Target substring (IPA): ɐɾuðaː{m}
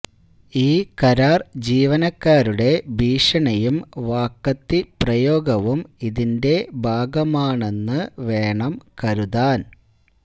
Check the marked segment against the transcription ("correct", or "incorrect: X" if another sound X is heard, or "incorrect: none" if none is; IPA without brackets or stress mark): incorrect: n